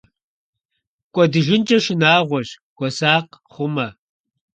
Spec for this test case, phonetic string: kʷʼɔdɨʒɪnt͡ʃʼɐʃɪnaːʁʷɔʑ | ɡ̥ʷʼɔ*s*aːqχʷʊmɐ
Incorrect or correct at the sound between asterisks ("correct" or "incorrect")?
correct